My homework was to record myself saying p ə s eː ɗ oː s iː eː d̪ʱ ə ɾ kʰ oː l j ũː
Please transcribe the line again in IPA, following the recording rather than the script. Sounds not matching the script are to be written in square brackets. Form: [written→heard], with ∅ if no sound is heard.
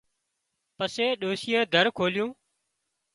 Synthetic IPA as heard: p ə s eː ɗ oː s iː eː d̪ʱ ə ɾ kʰ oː l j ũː

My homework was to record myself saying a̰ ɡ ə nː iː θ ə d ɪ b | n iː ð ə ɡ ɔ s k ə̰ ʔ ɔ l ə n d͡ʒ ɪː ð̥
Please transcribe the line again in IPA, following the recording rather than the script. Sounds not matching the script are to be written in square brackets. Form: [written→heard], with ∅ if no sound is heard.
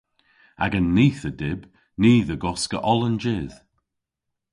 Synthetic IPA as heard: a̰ ɡ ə nː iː θ ə d ɪ b | n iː ð ə ɡ ɔ s k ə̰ ʔ ɔ l ə n d͡ʒ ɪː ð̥

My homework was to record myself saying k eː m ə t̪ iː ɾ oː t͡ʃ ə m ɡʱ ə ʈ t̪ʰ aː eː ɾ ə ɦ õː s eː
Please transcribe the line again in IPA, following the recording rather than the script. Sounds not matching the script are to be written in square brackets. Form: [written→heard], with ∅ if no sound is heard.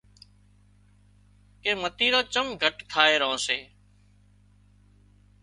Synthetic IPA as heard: k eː m ə t̪ iː ɾ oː t͡ʃ ə m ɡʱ ə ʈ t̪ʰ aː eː ɾ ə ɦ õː s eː

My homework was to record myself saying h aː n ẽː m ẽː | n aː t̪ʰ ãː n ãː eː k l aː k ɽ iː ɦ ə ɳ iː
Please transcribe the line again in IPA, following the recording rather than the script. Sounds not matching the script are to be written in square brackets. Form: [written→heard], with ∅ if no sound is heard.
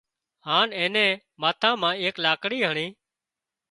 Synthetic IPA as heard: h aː n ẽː [m→n] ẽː | [n→m] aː t̪ʰ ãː [n→m] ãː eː k l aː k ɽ iː ɦ ə ɳ iː

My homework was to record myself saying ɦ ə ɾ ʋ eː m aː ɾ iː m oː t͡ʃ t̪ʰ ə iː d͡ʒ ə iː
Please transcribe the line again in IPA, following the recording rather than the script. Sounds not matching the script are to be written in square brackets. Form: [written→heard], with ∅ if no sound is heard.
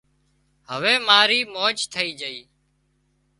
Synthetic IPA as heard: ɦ ə [ɾ→∅] ʋ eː m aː ɾ iː m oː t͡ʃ t̪ʰ ə iː d͡ʒ ə iː

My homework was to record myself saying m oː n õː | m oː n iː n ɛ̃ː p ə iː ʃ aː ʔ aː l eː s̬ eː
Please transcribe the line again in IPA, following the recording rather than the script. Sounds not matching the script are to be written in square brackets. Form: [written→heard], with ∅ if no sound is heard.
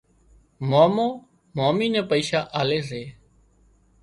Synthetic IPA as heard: m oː [n→m] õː | m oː [n→m] iː n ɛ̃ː p ə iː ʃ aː ʔ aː l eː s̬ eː

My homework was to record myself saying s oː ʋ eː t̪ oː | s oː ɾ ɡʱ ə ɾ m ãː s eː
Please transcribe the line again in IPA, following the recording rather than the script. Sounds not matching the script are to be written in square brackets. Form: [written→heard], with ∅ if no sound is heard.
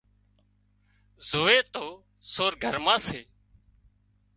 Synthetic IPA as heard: [s→z] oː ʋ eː t̪ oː | s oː ɾ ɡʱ ə ɾ m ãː s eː

